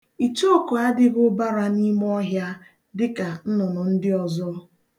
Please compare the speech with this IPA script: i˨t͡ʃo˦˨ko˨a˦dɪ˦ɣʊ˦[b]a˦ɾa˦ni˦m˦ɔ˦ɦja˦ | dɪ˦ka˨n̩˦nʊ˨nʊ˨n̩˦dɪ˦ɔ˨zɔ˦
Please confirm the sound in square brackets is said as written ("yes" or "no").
yes